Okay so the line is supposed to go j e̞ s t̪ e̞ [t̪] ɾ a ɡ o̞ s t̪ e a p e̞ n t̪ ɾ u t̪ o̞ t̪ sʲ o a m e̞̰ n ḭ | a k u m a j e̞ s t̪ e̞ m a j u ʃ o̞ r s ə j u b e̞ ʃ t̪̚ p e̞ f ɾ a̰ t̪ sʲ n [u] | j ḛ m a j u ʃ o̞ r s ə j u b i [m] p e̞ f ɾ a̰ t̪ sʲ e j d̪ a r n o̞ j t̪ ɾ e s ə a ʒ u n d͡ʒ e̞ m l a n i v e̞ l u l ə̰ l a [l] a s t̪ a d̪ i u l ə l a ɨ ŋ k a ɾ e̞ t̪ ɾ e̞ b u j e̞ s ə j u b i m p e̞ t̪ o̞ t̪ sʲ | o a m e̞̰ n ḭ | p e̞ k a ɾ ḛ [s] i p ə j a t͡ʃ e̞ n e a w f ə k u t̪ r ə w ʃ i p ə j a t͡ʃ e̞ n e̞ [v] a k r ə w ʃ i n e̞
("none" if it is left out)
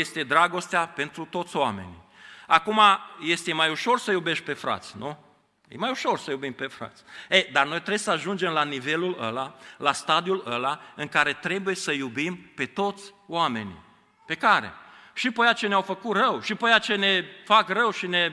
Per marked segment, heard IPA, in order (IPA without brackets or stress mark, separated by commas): d̪, u, m, l, ʃ, f